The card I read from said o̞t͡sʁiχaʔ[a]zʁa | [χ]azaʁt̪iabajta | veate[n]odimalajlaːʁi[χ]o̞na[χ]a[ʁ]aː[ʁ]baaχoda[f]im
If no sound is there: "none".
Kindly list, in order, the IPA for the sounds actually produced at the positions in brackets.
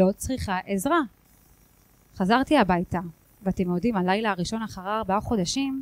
e, χ, m, ʃ, χ, ʁ, ʁ, ʃ

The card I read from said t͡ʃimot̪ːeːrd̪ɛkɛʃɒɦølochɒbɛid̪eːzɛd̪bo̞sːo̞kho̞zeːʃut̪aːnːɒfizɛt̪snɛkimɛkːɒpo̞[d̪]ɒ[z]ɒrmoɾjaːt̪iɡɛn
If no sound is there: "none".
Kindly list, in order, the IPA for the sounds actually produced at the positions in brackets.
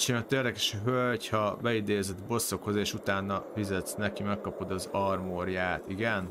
d̪, z

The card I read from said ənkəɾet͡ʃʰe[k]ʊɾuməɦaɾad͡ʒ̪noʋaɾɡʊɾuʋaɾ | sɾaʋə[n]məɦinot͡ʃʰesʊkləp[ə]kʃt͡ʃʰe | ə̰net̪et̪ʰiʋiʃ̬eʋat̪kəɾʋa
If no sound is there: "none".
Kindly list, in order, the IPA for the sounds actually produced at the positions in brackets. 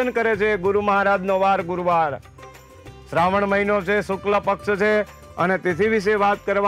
ɡ, ɳ, ə

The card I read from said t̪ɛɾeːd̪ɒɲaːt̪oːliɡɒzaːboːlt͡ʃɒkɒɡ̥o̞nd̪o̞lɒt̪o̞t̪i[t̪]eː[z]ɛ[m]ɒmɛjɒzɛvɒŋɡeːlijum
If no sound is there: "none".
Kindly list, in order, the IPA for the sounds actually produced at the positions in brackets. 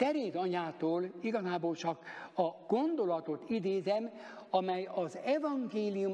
d̪, z, m

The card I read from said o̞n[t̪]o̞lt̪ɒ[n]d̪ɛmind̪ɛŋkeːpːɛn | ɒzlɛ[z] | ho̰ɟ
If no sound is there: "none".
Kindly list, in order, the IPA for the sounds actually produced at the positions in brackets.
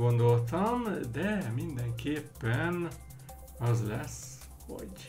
d̪, m, s

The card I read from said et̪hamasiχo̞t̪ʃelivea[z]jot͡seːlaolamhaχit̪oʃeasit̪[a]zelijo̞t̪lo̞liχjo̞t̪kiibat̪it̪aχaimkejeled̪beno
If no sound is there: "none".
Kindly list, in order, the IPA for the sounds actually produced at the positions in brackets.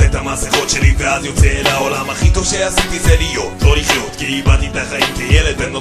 z, i

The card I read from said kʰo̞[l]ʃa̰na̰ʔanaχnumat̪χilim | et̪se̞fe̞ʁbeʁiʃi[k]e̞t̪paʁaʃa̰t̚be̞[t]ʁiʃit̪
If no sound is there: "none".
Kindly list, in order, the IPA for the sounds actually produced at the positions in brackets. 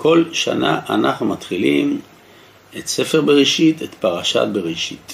l, t, none

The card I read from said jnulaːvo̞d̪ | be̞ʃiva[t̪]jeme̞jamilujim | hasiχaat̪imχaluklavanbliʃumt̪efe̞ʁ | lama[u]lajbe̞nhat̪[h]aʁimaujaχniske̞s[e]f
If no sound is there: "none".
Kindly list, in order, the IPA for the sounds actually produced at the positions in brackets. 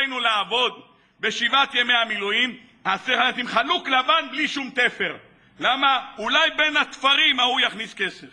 t̪, u, f, e

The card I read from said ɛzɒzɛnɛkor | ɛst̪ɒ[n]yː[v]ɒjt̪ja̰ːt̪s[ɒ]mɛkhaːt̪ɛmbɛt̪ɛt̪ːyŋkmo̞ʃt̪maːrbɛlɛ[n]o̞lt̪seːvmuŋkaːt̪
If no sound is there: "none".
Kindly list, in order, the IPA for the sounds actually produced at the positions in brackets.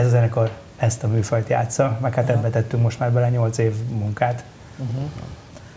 m, f, ɒ, ɲ

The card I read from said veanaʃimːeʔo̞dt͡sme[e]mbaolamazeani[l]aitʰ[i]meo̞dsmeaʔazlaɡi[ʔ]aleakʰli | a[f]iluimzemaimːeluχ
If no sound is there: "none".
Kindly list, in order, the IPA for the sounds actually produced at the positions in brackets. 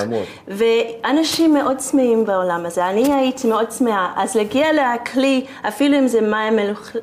i, none, i, none, f

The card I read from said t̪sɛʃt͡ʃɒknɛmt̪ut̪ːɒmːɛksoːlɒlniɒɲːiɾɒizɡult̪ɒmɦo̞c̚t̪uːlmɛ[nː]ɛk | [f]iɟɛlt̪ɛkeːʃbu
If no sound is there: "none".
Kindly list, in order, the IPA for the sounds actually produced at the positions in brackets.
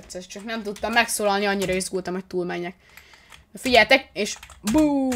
ɲː, f

